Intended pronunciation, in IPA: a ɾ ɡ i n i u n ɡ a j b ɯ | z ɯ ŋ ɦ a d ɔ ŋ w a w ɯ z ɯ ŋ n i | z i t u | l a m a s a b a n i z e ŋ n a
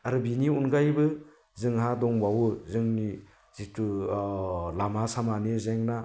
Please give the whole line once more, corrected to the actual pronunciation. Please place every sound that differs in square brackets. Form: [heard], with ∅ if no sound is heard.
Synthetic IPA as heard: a ɾ [b] i n i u n ɡ a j b ɯ | z ɯ ŋ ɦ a d ɔ ŋ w a w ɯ z ɯ ŋ n i | z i t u | l a m a s a [m] a n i z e ŋ n a